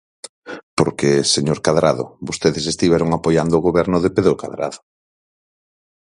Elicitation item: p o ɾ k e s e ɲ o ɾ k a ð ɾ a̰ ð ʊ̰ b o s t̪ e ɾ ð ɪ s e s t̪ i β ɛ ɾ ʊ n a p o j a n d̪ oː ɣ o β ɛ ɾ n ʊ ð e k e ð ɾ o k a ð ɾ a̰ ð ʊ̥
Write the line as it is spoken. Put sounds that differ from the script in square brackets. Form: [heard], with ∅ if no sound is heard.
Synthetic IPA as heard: p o ɾ k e s e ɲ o ɾ k a ð ɾ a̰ ð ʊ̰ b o s t̪ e [∅] ð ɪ s e s t̪ i β ɛ ɾ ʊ [ŋ] a p o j a n d̪ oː ɣ o β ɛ ɾ n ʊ ð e [p] e ð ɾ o k a ð ɾ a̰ ð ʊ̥